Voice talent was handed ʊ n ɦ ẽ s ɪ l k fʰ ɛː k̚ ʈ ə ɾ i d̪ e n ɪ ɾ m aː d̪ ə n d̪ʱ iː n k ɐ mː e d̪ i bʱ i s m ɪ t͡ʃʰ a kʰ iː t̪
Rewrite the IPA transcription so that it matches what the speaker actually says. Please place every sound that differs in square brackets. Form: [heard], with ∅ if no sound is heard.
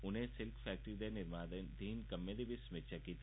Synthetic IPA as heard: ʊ n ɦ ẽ s ɪ l k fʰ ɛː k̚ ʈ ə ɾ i d̪ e n ɪ ɾ m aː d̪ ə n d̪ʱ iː n k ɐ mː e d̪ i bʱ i s m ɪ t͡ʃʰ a [k] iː t̪